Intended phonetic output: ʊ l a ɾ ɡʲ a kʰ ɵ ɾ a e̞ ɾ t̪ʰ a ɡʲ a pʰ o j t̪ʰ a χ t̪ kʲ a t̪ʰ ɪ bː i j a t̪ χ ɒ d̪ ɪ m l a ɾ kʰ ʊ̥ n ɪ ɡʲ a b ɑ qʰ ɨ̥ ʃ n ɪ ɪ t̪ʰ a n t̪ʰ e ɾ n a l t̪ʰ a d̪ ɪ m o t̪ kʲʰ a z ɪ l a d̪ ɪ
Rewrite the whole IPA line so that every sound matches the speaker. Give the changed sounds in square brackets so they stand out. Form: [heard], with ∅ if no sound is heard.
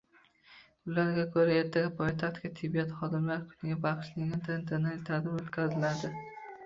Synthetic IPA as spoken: ʊ l a ɾ ɡʲ a kʰ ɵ ɾ a e̞ ɾ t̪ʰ a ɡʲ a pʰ o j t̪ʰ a χ t̪ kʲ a t̪ʰ ɪ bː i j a t̪ χ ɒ d̪ ɪ m l a ɾ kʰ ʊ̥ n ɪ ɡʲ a b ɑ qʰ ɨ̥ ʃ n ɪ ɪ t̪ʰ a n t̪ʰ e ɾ n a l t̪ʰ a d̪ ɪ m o t̪ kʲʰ a z ɪ l a d̪ ɪ